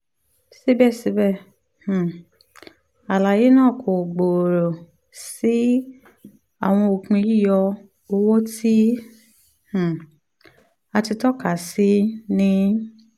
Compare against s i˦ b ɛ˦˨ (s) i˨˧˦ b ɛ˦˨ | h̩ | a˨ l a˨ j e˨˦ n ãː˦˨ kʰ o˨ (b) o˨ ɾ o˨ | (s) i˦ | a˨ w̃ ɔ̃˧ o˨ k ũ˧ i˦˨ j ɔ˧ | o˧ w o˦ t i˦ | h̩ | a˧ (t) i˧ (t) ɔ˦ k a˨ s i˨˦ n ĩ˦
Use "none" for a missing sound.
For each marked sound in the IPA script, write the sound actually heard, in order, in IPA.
s, ɡ͡b, s, t, t

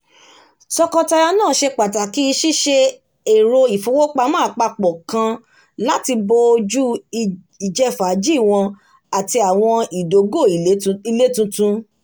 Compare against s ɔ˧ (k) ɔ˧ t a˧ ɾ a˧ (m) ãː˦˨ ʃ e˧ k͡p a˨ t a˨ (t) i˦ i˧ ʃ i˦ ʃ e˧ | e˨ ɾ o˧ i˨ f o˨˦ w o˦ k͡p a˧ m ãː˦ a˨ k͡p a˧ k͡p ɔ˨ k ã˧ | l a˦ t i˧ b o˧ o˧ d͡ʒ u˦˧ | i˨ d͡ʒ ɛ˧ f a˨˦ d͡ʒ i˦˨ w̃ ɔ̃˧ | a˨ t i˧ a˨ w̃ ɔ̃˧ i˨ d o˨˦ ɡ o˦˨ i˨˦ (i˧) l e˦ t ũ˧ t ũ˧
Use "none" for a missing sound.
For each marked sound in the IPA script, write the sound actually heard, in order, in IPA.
k, n, k, i˧

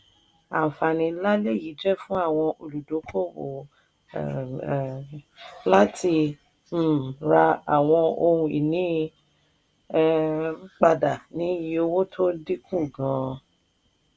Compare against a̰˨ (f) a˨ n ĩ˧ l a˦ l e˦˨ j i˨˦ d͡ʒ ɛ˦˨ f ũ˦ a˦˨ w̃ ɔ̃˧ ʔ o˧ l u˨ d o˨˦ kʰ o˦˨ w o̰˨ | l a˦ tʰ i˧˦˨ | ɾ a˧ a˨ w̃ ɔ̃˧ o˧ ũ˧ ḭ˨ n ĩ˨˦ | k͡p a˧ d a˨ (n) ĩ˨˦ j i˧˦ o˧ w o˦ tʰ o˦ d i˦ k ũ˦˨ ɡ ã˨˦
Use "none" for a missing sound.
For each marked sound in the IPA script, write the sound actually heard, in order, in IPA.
f, n

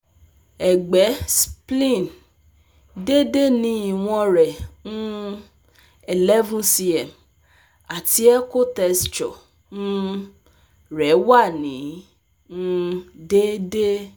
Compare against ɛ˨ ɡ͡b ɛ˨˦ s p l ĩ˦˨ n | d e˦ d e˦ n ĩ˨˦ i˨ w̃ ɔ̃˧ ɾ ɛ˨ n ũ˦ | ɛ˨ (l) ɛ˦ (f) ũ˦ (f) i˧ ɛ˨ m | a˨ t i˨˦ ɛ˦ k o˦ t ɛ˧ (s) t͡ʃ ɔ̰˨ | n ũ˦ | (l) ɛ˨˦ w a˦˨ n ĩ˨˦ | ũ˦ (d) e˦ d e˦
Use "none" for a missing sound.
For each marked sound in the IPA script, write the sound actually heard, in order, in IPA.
l, v, s, s, ɾ, d

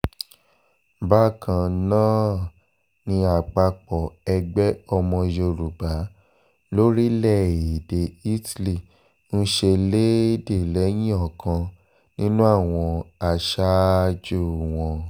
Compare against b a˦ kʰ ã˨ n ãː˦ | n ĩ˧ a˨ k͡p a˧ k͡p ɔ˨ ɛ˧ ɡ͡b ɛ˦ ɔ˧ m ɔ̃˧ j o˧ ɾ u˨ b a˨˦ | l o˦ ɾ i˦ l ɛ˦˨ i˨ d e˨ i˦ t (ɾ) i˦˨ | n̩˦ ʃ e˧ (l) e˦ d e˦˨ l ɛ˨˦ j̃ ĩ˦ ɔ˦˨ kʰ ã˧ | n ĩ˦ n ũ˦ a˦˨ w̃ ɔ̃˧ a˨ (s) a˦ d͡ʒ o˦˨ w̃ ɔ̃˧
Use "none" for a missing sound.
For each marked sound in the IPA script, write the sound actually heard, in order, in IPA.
l, l, ʃ

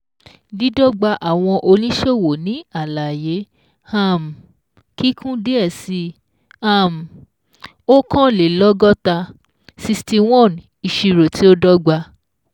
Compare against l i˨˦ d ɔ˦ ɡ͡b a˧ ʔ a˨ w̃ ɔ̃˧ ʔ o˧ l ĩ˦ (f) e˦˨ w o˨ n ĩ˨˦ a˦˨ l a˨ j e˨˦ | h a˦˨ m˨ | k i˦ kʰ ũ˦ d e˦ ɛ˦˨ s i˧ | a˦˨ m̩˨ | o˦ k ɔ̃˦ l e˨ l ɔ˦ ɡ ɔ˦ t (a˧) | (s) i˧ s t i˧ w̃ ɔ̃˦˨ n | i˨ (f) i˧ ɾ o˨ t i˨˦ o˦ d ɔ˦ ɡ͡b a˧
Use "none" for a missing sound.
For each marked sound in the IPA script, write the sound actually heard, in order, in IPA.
ʃ, a˧, s, ʃ

